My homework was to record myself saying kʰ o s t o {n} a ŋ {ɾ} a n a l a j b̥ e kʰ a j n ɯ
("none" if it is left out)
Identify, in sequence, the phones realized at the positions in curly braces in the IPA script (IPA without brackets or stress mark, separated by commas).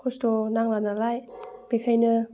n, l